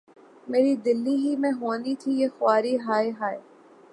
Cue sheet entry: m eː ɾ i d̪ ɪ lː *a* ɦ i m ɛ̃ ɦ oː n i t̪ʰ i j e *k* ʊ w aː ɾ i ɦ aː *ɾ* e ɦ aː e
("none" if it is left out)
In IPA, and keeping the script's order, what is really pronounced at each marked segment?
i, x, none

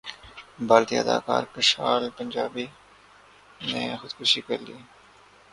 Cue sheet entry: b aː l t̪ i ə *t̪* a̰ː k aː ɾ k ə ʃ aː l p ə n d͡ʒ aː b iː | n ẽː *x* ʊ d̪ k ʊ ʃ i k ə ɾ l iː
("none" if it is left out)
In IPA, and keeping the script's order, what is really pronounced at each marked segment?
d̪, x

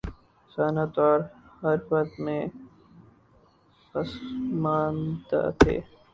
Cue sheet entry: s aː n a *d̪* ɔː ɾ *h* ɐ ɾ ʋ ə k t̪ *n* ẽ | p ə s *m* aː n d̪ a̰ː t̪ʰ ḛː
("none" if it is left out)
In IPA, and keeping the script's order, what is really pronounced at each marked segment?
t̪, h, m, m

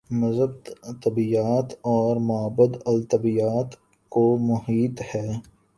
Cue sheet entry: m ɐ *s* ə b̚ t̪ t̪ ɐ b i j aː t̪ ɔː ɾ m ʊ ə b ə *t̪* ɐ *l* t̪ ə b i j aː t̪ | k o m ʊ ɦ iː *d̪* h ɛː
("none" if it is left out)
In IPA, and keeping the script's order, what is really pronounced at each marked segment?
z, d̪, l, t̪

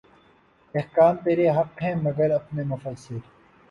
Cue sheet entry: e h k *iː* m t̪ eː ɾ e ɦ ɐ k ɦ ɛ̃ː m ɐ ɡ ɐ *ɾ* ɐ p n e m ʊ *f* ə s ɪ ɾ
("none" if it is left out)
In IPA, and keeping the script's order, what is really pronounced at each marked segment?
aː, ɾ, f

